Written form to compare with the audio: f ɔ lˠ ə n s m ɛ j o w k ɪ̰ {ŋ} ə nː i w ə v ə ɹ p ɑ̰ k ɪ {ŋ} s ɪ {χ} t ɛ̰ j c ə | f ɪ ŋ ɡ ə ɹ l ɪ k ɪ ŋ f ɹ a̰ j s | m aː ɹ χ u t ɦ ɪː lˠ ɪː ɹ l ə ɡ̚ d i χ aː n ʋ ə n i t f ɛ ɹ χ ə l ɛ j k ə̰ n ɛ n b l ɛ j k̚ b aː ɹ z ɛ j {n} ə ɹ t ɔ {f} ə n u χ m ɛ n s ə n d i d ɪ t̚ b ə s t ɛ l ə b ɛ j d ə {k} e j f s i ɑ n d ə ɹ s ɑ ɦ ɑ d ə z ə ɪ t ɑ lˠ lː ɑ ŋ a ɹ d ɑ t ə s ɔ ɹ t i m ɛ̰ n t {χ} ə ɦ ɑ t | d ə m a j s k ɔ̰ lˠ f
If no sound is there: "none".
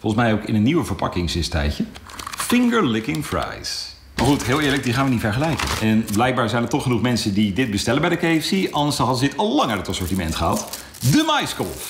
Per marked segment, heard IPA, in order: n, ŋ, s, n, χ, k, χ

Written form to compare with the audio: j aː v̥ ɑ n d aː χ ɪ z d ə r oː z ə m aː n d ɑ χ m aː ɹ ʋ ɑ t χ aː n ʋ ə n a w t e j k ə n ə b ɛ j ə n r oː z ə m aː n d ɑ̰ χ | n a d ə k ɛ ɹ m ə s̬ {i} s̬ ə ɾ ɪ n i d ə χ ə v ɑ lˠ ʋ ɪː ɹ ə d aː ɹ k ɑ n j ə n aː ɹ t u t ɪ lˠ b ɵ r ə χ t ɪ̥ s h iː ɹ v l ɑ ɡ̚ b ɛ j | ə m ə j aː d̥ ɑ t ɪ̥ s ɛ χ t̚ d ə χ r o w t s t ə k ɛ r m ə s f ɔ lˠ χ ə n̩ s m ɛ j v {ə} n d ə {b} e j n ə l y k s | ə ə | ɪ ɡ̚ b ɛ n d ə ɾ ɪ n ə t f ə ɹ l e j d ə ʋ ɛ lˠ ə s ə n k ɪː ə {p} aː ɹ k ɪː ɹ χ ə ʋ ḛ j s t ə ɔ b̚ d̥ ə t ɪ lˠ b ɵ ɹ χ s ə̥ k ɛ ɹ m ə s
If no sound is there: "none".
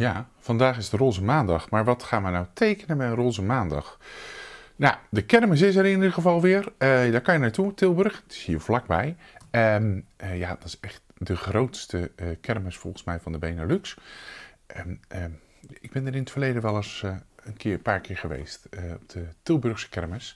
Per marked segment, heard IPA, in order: ɪ, ɑ, b, p

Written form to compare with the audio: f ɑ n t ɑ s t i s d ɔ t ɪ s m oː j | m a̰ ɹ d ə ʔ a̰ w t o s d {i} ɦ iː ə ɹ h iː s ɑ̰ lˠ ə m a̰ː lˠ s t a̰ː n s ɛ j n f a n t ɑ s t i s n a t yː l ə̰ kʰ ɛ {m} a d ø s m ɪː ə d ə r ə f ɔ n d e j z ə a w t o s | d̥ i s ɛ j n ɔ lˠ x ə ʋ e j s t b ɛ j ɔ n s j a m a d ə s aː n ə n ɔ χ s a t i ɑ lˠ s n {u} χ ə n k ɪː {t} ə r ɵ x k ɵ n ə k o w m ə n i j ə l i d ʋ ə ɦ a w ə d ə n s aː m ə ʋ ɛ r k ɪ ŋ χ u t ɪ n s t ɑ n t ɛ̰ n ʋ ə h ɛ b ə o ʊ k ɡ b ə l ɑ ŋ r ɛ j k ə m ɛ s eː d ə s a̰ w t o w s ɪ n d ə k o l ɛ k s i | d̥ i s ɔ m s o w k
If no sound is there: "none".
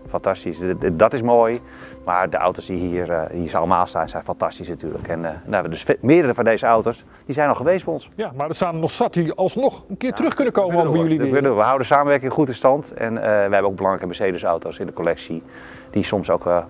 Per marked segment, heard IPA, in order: i, n, ɔ, t

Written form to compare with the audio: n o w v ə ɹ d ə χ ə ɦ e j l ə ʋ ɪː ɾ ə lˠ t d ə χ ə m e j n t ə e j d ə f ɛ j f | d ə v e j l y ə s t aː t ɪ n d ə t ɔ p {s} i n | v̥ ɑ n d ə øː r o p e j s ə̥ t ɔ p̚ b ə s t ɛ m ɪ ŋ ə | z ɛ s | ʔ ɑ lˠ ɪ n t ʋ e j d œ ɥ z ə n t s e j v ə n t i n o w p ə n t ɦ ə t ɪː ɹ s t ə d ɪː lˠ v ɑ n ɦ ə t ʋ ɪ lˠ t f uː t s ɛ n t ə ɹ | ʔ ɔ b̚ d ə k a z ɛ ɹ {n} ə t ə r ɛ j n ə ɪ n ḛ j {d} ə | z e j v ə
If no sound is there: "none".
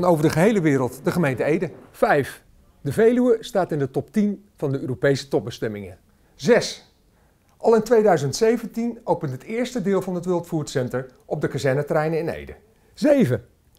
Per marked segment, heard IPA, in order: t, n, d

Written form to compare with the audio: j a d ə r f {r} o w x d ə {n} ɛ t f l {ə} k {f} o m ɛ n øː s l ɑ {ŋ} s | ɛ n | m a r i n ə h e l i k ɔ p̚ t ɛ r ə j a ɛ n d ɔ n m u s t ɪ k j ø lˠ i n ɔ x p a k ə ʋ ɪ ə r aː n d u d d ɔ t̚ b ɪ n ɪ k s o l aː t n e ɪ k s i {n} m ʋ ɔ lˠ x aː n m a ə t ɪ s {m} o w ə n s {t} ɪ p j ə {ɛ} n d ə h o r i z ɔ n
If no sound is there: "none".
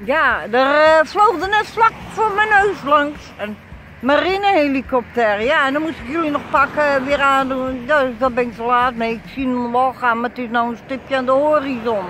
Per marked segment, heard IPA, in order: l, n, a, f, ŋ, n, n, t, a

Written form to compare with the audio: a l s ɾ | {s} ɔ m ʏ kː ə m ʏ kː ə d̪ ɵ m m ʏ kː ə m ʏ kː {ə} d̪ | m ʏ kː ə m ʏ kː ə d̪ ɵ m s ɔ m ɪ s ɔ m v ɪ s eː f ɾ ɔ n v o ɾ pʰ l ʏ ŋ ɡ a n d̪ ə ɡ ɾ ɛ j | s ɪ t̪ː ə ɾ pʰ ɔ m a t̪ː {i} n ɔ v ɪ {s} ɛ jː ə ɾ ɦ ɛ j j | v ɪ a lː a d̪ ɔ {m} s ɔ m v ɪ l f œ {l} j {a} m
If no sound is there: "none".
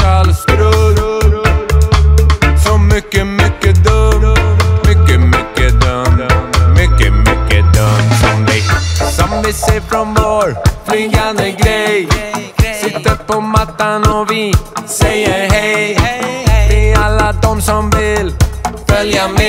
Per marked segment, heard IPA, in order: s, ə, a, s, m, l, a

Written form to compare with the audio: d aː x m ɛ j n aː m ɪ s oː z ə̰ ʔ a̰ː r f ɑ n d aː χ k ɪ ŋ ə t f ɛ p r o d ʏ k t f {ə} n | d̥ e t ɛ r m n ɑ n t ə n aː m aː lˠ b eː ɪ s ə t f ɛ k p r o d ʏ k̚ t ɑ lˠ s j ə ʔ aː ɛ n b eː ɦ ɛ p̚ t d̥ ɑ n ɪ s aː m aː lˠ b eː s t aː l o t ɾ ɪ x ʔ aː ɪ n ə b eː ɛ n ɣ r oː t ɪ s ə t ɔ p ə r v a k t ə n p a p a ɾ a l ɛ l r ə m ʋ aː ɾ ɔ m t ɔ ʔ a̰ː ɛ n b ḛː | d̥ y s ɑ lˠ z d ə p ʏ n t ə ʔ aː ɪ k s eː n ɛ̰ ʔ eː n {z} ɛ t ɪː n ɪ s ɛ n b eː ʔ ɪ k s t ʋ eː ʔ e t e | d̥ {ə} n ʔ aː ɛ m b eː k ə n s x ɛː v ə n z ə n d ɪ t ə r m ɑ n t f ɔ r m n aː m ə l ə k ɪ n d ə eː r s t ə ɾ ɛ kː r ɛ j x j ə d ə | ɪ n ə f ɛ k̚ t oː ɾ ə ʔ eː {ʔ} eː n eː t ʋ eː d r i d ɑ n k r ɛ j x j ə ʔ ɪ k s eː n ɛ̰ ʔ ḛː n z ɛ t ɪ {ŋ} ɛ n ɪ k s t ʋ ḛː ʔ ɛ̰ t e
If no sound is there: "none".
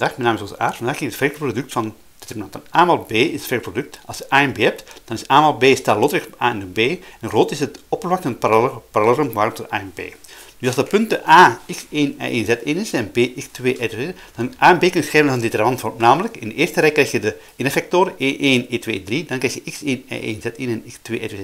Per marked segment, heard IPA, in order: ɑ, z, ɑ, ʔ, n

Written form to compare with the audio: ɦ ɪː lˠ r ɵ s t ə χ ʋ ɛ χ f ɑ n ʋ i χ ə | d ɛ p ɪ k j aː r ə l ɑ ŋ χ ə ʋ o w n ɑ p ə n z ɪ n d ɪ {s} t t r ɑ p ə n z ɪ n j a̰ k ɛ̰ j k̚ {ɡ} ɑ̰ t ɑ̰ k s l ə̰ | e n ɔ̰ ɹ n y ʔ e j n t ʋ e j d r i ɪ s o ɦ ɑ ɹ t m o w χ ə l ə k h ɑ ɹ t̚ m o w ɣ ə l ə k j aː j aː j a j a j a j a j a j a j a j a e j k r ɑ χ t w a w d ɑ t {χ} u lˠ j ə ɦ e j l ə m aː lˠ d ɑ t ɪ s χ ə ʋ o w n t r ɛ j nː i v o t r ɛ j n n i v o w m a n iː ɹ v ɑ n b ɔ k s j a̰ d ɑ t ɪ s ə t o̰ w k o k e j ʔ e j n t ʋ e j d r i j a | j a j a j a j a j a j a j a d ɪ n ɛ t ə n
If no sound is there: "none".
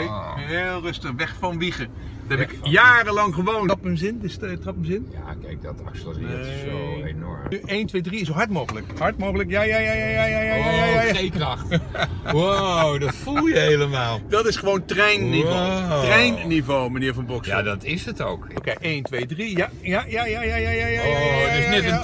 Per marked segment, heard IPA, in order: s, d, f

